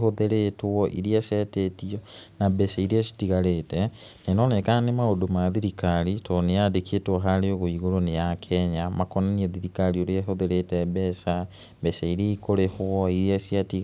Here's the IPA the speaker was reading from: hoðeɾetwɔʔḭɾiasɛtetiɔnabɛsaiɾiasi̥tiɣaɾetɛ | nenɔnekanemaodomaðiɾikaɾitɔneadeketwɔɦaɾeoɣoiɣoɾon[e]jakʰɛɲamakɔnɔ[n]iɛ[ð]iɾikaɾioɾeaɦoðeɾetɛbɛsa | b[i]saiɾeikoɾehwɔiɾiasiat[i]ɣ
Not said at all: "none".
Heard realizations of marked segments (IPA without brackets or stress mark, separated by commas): e, n, ð, ɛ, i